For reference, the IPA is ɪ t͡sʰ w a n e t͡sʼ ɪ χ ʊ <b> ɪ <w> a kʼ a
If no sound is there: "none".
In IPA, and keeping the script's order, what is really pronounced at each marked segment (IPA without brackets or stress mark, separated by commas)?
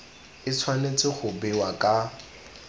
b, w